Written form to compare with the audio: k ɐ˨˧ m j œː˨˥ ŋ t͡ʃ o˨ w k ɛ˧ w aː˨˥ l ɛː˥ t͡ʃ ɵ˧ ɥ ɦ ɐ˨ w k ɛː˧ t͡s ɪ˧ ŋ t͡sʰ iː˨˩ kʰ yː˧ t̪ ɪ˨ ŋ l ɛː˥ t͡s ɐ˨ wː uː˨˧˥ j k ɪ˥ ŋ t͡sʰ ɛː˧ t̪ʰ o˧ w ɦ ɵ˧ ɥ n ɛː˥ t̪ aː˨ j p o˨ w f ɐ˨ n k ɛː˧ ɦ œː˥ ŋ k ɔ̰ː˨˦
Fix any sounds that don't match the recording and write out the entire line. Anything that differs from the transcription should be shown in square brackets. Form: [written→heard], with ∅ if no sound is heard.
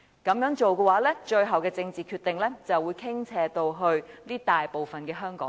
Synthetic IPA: k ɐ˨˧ m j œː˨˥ ŋ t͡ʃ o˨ w k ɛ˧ w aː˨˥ l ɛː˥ t͡ʃ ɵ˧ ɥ ɦ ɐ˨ w k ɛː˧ t͡s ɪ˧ ŋ [t͡sʰ→t͡s] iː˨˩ kʰ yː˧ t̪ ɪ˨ ŋ l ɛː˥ t͡s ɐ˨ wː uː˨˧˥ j [k→kʰ] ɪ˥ ŋ t͡sʰ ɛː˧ [t̪ʰ→t̪] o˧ w ɦ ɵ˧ ɥ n [ɛː˥→iː˥] t̪ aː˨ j p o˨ w f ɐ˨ n k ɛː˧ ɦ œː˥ ŋ k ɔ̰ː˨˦